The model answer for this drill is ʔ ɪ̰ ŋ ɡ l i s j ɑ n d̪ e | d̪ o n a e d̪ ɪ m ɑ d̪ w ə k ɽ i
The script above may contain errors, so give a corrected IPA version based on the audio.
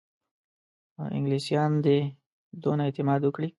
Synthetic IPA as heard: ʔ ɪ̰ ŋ ɡ l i s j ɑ n d̪ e | d̪ o n a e t̪ ɪ m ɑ d̪ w ə k ɽ i